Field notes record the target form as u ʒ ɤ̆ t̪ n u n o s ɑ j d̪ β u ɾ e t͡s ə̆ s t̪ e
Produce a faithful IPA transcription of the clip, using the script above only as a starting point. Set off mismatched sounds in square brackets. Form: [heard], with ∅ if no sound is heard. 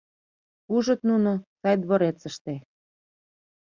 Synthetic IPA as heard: u ʒ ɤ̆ t̪ n u n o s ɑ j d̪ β [o] ɾ e t͡s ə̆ [ʃ] t̪ e